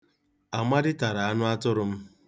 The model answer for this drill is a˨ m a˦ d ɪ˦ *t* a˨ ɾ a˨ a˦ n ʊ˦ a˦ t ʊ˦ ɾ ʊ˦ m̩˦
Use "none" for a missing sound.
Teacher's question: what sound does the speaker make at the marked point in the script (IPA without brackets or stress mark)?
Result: t